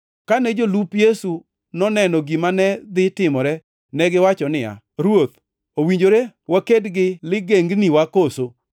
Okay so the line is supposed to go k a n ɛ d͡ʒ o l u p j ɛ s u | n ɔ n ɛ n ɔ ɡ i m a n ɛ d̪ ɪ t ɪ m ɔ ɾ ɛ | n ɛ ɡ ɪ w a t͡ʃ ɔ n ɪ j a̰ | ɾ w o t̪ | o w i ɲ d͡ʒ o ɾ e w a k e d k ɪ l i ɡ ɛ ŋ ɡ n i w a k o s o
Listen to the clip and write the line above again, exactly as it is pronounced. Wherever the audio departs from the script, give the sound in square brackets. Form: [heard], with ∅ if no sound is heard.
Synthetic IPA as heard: k a n ɛ d͡ʒ o l u p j [e] s u | n ɔ n ɛ n ɔ ɡ i m a n ɛ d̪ ɪ t ɪ m ɔ ɾ ɛ | n ɛ ɡ ɪ w a t͡ʃ ɔ n ɪ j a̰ | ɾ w o t̪ | o w i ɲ d͡ʒ o ɾ e w a k e d [ɡ] ɪ l [ɪ] ɡ [e] ŋ ɡ n i w a k o s o